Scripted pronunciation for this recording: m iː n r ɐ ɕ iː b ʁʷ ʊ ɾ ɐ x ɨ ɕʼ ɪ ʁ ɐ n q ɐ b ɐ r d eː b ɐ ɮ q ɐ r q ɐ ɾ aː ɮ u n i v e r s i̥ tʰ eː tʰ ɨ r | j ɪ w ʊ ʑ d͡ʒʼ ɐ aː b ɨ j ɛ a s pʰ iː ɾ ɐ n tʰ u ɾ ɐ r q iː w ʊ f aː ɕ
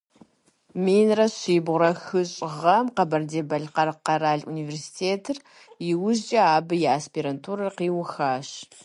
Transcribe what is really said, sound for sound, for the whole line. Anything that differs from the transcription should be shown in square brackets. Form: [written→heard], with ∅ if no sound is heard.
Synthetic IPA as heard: m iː n r ɐ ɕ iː b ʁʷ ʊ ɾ ɐ x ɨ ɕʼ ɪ ʁ ɐ [n→m] q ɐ b ɐ r d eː b ɐ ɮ q ɐ r q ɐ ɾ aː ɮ u n i v e r s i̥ tʰ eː tʰ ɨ r | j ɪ w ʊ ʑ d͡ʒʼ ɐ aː b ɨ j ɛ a s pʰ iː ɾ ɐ n tʰ u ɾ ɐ r q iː w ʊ [f→x] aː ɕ